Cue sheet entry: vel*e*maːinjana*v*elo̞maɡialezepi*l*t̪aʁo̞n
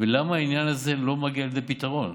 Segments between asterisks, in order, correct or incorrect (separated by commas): incorrect, incorrect, incorrect